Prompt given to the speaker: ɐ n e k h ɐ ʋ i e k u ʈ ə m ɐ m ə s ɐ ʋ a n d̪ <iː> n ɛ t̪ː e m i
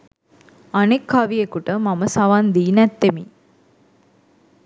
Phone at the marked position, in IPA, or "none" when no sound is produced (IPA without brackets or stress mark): iː